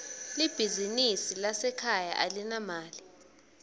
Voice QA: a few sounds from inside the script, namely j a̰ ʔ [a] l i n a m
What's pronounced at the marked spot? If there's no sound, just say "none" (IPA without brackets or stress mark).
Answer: a